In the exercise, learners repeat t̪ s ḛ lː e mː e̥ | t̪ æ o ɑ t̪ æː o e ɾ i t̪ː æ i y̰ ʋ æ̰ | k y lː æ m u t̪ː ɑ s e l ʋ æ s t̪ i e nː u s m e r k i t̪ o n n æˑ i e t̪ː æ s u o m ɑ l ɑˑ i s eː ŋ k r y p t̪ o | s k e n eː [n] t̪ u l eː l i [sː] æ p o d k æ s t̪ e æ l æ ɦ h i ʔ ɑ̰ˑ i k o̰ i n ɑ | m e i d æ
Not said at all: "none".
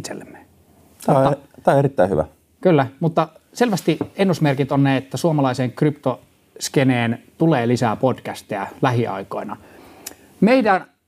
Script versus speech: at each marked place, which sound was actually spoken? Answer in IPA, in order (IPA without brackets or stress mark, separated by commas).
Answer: n, s